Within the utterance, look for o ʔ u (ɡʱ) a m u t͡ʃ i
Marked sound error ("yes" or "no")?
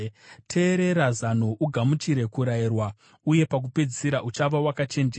no